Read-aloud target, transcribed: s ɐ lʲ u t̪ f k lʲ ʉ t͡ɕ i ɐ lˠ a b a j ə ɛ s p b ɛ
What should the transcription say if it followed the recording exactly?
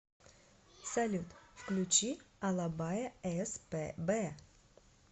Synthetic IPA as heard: s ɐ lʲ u t̪ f k lʲ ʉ t͡ɕ i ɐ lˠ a b a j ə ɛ s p b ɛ